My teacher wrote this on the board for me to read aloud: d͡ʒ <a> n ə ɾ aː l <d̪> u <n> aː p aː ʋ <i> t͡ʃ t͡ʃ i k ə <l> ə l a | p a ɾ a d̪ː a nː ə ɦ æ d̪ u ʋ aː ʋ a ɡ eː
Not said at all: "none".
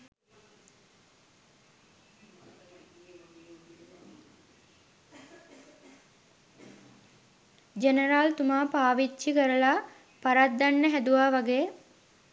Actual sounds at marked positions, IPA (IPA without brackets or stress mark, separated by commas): e, t̪, m, i, ɾ